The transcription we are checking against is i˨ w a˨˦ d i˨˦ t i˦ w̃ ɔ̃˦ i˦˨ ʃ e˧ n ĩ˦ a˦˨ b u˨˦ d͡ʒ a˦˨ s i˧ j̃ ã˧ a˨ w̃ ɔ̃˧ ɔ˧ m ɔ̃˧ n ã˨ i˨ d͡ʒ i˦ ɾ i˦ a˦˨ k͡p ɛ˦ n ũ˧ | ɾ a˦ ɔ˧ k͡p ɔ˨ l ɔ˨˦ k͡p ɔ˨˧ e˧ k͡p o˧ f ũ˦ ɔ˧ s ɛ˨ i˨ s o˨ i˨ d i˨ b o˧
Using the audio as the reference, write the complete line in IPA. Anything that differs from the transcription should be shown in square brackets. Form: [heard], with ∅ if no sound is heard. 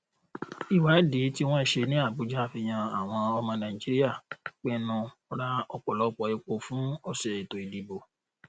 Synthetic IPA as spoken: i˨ w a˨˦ d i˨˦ t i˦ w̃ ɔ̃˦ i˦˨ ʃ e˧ n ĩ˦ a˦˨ b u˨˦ d͡ʒ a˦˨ [f] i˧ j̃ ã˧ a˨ w̃ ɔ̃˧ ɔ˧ m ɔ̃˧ n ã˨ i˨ d͡ʒ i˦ ɾ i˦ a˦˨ k͡p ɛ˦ n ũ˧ | ɾ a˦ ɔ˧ k͡p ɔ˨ l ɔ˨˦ k͡p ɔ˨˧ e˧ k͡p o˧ f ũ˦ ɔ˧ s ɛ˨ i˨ [t] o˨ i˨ d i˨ b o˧

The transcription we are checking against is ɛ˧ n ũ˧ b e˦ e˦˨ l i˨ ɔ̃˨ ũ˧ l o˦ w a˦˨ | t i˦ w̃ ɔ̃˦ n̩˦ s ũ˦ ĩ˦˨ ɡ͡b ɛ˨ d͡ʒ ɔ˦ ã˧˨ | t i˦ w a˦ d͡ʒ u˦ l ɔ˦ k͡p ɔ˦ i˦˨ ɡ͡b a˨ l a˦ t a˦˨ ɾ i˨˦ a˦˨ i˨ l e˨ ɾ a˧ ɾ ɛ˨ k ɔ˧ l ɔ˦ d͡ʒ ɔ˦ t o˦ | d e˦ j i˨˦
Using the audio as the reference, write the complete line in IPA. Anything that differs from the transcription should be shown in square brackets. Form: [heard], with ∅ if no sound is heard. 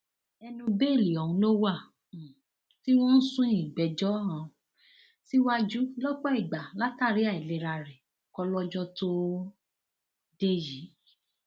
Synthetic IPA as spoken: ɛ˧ n ũ˧ b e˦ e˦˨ l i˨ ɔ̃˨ ũ˧ l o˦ w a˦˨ | t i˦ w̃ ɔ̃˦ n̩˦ s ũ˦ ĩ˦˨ ɡ͡b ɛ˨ d͡ʒ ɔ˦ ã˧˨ | t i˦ w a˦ d͡ʒ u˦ l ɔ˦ k͡p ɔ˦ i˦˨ ɡ͡b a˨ l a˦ t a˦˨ ɾ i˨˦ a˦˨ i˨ l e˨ ɾ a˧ ɾ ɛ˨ k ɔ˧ l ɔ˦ d͡ʒ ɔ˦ t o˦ | d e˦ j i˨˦

